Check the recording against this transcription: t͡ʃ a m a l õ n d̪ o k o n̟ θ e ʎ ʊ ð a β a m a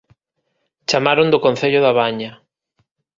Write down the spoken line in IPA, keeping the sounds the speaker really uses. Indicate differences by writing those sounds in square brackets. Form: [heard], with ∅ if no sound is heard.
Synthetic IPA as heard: t͡ʃ a m a [ɾ] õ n d̪ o k o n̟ θ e ʎ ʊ ð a β a [ɲ] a